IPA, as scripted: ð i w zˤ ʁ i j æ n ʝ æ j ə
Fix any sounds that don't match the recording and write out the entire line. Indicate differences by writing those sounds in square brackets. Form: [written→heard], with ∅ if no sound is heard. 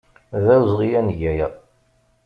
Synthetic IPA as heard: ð [i→æ] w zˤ ʁ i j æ n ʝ æ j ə